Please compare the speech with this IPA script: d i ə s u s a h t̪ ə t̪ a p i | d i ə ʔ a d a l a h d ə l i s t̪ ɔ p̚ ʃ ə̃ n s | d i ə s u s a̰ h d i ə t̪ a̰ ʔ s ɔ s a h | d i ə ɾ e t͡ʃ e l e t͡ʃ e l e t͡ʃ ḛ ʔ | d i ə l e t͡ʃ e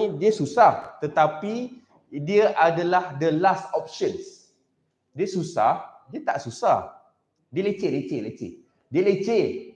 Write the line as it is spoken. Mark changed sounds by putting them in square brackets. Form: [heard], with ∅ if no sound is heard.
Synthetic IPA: d i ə s u s a h t̪ ə t̪ a p i | d i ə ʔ a d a l a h d ə l [a] s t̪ ɔ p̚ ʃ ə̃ n s | d i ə s u s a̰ h d i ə t̪ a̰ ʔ s [u] s a h | d i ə [l] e t͡ʃ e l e t͡ʃ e l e t͡ʃ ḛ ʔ | d i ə l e t͡ʃ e